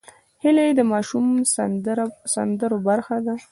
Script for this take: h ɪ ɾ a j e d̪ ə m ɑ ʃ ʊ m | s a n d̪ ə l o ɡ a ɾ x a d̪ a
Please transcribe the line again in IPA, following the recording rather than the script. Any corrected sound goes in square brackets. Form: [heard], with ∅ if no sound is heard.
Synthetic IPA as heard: h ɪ [l] a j e d̪ ə m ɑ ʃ [u] m | s a n d̪ ə [ɾ] o [b] a ɾ x a d̪ a